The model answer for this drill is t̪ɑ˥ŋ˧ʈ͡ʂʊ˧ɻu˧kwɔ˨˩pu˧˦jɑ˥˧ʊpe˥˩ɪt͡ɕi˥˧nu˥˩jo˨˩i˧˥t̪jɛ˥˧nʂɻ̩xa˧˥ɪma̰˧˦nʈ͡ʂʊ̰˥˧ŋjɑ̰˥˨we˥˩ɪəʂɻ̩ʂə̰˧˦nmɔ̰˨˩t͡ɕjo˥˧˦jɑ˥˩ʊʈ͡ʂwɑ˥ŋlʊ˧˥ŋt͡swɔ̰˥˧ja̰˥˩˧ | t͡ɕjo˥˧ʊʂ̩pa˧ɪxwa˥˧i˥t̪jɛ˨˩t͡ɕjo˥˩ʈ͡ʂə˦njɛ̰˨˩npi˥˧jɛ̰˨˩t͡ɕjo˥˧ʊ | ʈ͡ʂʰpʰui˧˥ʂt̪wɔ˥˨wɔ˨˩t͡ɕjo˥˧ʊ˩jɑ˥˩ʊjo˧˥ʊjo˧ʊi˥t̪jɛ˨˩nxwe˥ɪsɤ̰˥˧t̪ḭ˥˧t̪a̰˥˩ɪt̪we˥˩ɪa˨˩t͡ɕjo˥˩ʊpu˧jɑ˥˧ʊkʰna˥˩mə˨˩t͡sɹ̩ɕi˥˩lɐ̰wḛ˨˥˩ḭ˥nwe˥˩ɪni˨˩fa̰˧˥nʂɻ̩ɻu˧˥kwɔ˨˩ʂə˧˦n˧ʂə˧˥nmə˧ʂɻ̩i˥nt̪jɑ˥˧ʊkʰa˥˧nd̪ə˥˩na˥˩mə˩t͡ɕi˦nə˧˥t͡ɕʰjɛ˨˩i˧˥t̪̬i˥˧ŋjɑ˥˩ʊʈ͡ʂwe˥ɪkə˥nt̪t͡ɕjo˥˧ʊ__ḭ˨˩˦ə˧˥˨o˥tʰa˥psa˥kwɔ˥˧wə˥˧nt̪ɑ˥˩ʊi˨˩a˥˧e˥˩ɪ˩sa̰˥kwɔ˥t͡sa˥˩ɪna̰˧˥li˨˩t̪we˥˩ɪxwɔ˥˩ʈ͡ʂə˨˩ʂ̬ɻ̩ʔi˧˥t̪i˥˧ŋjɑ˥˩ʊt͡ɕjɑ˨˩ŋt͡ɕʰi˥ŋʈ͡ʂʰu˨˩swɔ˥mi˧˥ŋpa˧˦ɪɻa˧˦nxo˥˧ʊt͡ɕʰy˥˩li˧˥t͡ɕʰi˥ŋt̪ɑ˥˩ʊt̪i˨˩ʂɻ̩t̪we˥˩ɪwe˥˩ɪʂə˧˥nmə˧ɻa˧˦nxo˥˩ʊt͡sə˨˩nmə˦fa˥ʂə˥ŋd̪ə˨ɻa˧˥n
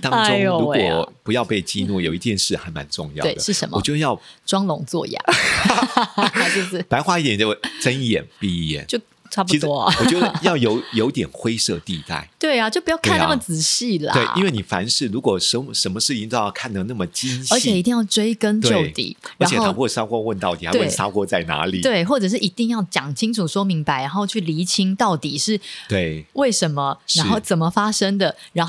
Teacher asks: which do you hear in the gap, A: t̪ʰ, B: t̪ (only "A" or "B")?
B